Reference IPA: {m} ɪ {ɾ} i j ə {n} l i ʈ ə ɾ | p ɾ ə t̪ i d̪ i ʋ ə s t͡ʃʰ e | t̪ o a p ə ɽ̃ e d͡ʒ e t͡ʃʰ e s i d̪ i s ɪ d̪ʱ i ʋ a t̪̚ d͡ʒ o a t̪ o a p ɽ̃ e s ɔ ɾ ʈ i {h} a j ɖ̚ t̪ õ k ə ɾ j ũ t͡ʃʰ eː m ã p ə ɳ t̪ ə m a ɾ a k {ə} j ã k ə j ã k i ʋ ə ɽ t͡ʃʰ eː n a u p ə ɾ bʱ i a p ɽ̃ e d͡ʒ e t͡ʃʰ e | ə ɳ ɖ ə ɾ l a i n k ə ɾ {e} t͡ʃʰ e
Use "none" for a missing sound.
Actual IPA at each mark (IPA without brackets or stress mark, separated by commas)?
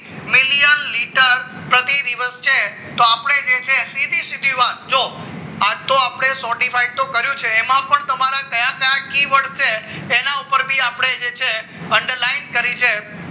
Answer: m, l, n, f, ə, i